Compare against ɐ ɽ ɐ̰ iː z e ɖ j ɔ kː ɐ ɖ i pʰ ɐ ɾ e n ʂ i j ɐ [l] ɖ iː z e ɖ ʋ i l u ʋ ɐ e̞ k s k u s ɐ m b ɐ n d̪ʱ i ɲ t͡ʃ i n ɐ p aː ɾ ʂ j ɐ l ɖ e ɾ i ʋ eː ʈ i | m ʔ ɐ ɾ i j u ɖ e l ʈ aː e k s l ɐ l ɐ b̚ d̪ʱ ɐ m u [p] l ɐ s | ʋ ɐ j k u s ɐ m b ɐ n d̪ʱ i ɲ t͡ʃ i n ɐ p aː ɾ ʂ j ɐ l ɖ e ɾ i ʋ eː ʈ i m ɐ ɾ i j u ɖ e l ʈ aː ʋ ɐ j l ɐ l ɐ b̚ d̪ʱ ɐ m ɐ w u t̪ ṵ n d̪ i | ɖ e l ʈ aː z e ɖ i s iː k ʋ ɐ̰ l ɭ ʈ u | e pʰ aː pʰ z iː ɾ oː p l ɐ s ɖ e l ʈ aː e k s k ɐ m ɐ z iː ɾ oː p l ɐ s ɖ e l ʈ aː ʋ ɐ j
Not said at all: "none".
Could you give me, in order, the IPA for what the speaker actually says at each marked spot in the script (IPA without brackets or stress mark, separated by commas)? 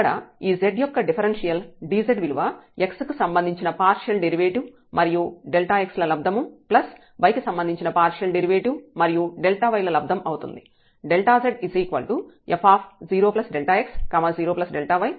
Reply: l, p